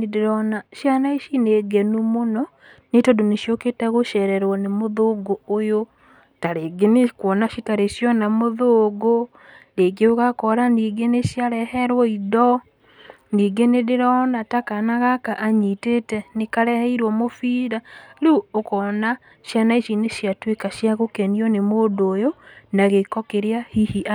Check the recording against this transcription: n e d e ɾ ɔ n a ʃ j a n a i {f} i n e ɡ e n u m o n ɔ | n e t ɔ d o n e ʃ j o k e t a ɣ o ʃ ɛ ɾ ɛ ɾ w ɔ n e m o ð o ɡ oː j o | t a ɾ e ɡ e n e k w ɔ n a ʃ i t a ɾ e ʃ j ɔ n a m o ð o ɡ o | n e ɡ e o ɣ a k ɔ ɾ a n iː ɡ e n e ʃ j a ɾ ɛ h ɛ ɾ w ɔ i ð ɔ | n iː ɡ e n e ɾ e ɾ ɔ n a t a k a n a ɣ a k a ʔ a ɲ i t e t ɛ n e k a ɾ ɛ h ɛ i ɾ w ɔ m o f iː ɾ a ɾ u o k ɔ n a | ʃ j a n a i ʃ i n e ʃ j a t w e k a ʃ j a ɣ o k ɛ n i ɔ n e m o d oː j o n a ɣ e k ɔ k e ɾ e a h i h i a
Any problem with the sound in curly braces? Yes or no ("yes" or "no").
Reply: yes